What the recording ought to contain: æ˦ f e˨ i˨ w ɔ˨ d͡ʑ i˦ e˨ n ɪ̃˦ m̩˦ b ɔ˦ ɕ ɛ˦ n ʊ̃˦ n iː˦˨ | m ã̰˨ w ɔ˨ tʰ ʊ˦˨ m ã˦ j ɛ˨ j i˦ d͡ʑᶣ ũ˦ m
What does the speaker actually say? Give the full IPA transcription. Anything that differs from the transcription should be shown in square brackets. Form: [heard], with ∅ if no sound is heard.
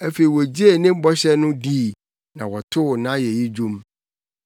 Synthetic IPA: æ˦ f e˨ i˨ w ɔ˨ d͡ʑ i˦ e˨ n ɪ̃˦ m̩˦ b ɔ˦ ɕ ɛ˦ n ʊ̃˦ [d] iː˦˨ | [n] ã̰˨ w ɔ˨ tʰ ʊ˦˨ [n] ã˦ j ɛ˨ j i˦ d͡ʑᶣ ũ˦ m